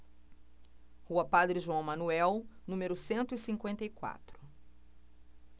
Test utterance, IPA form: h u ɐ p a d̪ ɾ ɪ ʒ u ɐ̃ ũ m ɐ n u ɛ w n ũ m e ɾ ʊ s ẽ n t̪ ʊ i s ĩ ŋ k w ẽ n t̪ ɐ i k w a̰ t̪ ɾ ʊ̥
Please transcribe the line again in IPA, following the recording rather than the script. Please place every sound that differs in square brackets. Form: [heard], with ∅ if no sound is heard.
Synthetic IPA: h u ɐ p a d̪ ɾ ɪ ʒ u ɐ̃ [w̃] m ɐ n u ɛ w n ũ m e ɾ ʊ s ẽ n t̪ ʊ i s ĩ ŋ k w ẽ n t̪ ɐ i k w a̰ t̪ ɾ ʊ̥